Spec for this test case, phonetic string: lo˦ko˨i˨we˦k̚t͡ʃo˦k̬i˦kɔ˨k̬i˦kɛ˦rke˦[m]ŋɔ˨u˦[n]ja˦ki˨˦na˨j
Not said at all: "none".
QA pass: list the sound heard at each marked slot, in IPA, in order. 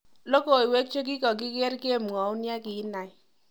m, n

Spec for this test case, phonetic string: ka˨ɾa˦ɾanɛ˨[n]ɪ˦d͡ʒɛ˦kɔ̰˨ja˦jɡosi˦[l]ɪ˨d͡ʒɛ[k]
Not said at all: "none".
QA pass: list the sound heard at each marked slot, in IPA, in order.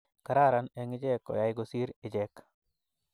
ŋ, ɾ, k

